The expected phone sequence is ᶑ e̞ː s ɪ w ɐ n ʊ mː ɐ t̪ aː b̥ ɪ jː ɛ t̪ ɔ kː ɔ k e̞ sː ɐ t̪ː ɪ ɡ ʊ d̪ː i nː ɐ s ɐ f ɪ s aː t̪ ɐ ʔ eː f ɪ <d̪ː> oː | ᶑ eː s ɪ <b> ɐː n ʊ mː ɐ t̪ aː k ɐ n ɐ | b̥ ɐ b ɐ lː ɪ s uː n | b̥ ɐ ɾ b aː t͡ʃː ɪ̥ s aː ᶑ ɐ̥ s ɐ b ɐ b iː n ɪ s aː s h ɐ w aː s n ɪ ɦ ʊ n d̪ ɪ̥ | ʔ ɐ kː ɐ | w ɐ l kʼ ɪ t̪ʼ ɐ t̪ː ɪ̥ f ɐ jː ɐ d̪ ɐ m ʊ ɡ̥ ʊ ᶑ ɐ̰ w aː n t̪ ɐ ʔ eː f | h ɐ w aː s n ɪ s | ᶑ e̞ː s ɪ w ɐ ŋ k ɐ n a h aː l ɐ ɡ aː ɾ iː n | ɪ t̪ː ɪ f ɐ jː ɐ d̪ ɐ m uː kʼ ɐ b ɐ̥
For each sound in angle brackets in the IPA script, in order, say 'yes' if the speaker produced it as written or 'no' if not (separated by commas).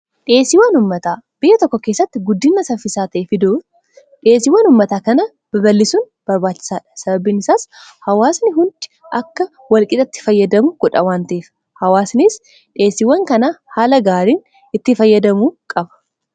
no, no